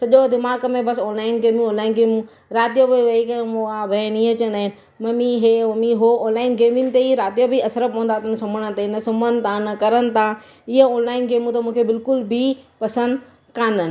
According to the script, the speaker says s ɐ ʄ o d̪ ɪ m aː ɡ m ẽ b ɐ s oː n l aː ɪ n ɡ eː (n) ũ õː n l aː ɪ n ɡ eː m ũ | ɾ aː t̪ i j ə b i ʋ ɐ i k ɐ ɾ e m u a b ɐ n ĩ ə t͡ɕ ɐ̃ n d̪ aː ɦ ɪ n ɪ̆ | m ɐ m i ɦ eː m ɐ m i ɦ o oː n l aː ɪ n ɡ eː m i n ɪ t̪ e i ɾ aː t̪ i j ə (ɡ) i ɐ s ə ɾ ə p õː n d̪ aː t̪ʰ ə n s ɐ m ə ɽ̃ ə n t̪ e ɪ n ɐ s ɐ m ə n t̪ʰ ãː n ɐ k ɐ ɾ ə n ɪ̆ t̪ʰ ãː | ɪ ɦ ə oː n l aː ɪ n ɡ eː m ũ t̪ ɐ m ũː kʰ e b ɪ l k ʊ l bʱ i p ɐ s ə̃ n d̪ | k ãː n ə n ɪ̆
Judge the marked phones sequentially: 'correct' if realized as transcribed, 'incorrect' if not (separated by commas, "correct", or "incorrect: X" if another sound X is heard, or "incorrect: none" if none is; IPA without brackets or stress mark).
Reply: incorrect: m, incorrect: b